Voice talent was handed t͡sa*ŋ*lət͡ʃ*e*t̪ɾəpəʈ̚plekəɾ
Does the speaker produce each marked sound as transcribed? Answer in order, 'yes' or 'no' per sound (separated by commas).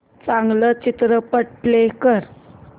yes, no